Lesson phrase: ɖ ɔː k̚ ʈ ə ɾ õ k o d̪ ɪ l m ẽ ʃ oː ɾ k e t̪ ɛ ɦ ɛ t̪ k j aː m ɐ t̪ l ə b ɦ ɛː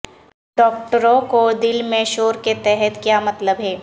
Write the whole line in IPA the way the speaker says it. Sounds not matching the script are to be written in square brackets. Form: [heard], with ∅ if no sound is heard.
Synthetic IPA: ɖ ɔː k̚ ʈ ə ɾ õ k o d̪ ɪ l m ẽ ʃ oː ɾ k e t̪ ɛ ɦ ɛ t̪ k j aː m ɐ t̪ l ə b ɦ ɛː